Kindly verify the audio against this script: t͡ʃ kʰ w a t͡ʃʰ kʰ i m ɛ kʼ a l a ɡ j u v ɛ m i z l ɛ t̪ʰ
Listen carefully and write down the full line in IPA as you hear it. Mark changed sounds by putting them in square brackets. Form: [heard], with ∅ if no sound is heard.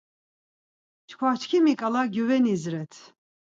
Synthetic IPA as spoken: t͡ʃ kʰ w a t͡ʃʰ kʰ i m [i] kʼ a l a ɡ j u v ɛ [n] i z [ɾ] ɛ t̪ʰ